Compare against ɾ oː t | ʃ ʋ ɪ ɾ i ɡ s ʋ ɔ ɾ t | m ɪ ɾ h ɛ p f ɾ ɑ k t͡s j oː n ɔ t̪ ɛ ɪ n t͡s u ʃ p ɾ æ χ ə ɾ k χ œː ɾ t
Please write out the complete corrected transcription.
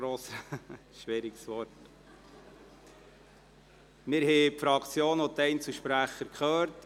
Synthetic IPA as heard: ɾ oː s | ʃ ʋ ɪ ɾ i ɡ s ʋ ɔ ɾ t | m ɪ ɾ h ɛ p f ɾ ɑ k t͡s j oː n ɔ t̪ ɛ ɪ n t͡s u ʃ p ɾ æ χ ə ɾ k χ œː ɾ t